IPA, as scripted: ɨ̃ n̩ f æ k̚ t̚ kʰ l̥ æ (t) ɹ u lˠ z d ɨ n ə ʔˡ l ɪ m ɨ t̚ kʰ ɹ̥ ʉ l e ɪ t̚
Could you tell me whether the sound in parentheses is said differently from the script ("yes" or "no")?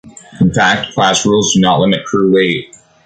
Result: yes